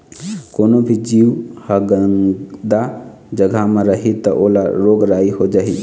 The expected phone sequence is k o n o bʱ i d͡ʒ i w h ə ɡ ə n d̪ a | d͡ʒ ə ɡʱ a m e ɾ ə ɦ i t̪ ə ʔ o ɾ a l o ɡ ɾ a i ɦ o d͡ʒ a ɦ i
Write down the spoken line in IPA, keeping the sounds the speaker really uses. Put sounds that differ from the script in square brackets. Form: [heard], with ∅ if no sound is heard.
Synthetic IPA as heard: k o n o bʱ i d͡ʒ i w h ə ɡ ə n d̪ a | d͡ʒ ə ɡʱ a m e ɾ ə ɦ i t̪ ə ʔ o [l] a [ɾ] o ɡ ɾ a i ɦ o d͡ʒ a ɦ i